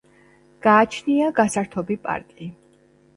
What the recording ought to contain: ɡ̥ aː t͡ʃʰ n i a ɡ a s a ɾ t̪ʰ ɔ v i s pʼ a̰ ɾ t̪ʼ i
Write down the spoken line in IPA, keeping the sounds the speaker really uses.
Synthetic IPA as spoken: ɡ̥ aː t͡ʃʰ n i a ɡ a s a ɾ t̪ʰ ɔ b i pʼ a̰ ɾ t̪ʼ i